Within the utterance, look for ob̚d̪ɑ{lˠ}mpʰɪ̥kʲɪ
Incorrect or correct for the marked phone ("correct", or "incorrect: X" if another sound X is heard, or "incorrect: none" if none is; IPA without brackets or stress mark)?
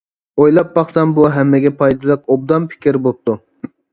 incorrect: none